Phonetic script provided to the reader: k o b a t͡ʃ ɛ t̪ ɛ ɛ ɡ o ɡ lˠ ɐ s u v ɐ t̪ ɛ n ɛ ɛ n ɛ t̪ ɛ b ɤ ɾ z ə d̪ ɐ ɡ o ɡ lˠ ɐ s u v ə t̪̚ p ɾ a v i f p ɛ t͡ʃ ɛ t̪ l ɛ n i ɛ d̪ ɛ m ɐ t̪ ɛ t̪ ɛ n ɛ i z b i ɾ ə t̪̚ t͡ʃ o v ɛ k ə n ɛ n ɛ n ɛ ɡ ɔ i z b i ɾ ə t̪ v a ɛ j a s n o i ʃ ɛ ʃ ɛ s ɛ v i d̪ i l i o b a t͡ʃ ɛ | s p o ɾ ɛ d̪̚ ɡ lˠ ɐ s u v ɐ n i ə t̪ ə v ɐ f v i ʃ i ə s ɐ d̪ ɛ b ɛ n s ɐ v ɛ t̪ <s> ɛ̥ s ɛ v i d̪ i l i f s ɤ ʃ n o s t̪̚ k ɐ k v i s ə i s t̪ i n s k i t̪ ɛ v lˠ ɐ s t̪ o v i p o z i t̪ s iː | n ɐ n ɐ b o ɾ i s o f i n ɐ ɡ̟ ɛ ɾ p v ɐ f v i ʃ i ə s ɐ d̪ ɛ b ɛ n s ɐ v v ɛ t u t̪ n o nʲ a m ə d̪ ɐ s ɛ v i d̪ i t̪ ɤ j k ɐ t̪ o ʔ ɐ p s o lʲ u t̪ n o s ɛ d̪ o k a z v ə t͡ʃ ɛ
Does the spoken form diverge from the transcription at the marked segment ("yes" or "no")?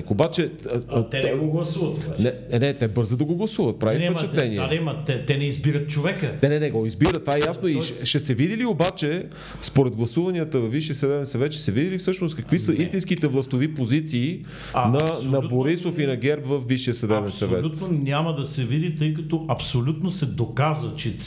yes